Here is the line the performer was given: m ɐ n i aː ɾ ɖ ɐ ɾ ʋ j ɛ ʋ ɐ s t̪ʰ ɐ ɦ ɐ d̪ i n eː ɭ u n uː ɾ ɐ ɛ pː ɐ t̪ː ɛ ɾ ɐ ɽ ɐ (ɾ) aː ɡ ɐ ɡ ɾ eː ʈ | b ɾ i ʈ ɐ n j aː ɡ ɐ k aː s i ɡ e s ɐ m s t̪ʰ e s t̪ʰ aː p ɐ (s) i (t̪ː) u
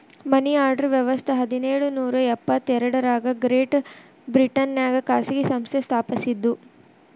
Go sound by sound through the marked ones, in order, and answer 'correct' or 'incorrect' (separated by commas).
correct, correct, incorrect